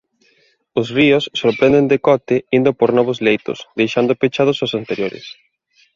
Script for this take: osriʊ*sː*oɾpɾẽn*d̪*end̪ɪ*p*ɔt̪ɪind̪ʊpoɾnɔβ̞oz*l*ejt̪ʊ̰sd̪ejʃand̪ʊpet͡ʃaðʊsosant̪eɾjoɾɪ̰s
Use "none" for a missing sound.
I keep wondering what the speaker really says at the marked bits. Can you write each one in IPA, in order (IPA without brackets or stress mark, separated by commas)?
sː, d̪, k, l